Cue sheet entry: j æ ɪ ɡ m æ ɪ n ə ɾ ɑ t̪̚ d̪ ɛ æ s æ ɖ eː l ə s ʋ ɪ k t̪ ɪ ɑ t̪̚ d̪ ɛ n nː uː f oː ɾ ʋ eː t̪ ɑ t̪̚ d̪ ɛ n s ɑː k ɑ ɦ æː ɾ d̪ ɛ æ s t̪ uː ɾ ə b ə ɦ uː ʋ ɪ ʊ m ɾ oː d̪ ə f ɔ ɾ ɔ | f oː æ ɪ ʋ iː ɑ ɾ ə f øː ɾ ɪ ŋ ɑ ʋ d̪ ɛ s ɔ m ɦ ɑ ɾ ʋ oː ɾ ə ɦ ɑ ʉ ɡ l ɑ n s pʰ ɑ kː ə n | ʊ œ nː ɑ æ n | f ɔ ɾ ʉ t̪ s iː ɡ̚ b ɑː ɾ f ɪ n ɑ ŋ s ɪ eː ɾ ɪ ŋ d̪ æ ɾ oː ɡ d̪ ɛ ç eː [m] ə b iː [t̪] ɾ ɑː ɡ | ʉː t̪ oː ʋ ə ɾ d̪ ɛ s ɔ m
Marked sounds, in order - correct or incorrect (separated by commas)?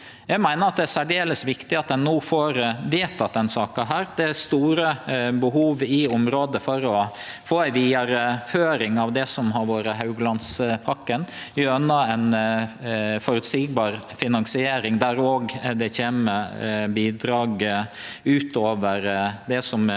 correct, incorrect